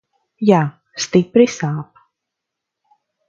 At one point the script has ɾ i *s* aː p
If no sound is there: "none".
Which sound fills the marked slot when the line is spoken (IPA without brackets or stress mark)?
s